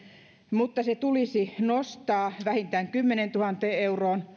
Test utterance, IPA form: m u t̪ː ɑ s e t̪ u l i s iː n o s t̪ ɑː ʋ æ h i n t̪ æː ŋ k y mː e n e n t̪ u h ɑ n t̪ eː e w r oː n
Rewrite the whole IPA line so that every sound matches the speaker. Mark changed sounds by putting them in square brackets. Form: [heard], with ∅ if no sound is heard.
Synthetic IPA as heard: m u t̪ː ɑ s e t̪ u l i s [i] n o s t̪ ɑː ʋ æ h i n t̪ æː ŋ k y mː e n e n t̪ u h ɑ n t̪ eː e [u] r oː n